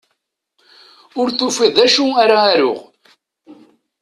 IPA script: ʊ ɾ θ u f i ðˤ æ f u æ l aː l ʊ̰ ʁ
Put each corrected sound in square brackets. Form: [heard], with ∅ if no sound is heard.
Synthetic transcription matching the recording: ʊ ɾ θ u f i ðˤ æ [ʃ] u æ [ɾ] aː [ɾ] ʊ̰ ʁ